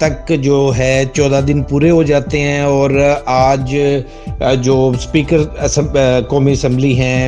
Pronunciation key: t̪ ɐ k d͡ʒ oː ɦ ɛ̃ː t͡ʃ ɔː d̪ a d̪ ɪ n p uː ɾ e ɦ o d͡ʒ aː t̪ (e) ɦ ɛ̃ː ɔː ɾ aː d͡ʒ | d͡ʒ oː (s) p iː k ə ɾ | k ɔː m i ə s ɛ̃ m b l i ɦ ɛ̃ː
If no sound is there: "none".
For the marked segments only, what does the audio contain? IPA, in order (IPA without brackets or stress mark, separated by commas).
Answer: e, s